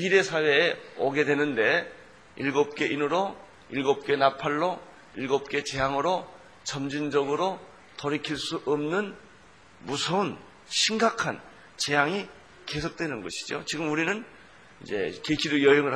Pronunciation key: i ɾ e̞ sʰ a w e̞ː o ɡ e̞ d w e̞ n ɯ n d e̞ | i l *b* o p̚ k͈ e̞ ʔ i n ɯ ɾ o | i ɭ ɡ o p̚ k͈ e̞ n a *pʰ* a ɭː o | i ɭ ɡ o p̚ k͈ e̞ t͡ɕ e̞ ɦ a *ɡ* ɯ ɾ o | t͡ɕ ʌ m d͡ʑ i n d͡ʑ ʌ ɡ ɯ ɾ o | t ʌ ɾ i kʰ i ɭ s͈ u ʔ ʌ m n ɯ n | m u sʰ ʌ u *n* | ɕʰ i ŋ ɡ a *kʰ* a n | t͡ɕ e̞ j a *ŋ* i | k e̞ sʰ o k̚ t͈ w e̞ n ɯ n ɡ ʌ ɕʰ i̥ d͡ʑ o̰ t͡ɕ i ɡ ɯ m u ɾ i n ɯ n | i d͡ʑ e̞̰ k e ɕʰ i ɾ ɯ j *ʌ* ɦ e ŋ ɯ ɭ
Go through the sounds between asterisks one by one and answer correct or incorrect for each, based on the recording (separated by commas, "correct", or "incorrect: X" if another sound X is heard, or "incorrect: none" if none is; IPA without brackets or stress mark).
incorrect: ɡ, correct, incorrect: ŋ, correct, correct, correct, correct